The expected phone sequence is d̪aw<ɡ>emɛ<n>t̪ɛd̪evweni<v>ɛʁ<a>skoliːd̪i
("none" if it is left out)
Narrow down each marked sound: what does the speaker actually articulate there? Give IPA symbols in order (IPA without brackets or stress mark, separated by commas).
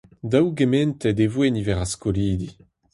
ɡ, n, v, a